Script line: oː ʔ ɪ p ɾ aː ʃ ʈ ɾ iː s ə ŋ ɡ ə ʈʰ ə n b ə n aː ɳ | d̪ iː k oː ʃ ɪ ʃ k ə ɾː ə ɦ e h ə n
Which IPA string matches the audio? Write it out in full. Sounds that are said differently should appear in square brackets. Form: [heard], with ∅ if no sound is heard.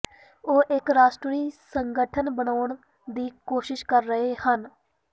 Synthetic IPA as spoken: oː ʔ ɪ [k] ɾ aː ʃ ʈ ɾ iː s ə ŋ ɡ ə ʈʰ ə n b ə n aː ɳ | d̪ iː k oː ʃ ɪ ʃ k ə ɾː ə ɦ e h ə n